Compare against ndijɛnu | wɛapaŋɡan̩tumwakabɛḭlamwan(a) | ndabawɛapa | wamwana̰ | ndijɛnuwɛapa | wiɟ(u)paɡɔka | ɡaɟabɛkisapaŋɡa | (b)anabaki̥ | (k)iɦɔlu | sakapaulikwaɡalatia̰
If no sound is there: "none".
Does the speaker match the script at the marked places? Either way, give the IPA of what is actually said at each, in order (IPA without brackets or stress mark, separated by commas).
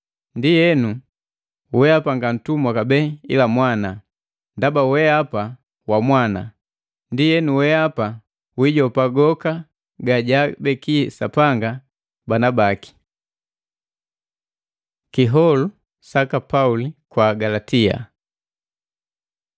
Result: a, ɔ, b, k